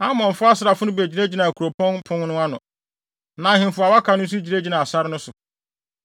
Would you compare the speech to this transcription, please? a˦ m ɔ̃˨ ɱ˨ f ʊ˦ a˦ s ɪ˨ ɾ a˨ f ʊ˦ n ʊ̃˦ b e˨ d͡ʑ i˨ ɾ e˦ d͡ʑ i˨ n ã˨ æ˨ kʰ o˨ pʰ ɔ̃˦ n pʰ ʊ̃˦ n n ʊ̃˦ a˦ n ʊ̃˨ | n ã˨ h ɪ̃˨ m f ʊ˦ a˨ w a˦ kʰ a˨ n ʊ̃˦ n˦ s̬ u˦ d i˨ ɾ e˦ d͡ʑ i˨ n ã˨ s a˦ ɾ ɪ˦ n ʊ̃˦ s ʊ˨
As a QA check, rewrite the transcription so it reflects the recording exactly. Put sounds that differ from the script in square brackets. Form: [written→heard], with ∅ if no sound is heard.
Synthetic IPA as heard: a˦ m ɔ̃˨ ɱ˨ f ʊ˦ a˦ s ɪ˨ ɾ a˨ f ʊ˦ n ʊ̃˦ b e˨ d͡ʑ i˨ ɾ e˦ d͡ʑ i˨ n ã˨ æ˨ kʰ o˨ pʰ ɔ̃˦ n pʰ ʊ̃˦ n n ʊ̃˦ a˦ n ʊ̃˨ | n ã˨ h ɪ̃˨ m f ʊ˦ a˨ w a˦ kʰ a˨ n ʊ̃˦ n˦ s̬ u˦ [d→d͡ʑ] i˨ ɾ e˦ d͡ʑ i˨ n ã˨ s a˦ ɾ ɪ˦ n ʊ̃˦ s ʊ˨